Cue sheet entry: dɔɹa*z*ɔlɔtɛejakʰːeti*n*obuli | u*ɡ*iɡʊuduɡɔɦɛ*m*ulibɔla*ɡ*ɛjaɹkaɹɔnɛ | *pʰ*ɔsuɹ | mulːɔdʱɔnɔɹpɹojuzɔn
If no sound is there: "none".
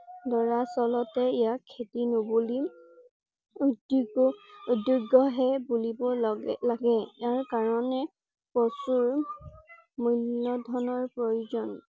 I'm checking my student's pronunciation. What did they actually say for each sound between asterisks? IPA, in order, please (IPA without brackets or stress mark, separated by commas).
s, n, d, b, ɡ, p